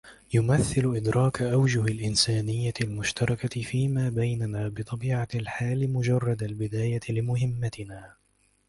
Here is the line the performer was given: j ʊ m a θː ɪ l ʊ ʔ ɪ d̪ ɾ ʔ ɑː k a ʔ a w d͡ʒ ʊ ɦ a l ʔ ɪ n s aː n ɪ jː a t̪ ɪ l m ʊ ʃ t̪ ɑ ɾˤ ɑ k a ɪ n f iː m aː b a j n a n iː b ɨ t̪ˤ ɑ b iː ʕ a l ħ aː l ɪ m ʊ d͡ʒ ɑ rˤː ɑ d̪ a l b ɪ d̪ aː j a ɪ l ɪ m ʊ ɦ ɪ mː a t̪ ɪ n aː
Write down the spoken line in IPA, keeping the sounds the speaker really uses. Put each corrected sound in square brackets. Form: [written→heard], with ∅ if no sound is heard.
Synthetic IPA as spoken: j ʊ m a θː ɪ l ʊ ʔ ɪ d̪ ɾ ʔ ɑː k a ʔ a w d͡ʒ ʊ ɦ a l ʔ ɪ n s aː n ɪ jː a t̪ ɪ l m ʊ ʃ t̪ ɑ ɾˤ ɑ k a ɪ [n→∅] f iː m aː b a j n a n [iː→aː] b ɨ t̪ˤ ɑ b iː ʕ a l ħ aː l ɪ m ʊ d͡ʒ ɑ rˤː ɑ d̪ a l b ɪ d̪ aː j a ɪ l ɪ m ʊ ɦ ɪ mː a t̪ ɪ n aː